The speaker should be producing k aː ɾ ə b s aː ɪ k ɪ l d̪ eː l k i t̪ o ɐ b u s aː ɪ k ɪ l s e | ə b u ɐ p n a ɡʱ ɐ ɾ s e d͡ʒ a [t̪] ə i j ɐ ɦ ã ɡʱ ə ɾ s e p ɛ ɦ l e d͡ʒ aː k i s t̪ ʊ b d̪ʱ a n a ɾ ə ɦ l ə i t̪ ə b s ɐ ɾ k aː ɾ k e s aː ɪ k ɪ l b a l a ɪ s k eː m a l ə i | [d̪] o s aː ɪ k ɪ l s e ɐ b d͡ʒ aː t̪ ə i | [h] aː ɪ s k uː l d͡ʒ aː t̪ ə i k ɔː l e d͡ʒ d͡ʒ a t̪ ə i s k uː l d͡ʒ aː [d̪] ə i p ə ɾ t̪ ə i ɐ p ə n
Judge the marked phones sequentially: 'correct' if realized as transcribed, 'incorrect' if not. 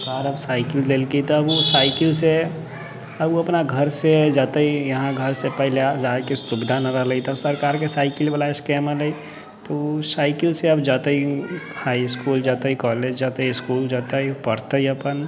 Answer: correct, incorrect: t̪, correct, incorrect: t̪

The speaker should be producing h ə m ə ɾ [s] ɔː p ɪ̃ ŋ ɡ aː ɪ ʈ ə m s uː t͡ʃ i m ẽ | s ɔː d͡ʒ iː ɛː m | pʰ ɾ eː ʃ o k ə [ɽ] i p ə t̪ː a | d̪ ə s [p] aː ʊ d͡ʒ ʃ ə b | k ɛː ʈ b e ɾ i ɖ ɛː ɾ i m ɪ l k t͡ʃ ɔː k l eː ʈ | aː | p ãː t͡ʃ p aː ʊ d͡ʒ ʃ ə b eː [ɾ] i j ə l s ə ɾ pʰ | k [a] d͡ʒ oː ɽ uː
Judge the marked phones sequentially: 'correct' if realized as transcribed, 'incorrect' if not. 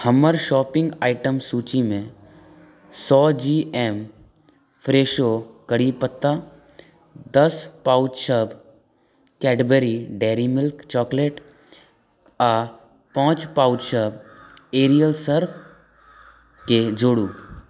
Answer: incorrect: ʃ, correct, correct, correct, incorrect: e

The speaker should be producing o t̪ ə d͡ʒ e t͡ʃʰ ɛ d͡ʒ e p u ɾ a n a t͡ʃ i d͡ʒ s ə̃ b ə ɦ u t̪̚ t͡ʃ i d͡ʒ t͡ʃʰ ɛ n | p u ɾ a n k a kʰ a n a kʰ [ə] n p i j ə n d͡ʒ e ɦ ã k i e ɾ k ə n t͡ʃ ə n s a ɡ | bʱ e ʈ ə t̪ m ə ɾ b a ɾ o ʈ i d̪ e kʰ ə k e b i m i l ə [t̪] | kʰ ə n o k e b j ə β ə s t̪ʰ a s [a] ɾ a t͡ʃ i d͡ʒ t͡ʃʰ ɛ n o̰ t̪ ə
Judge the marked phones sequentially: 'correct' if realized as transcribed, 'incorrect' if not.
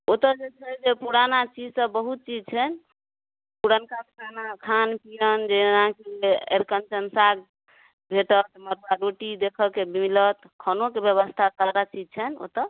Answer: incorrect: a, correct, correct

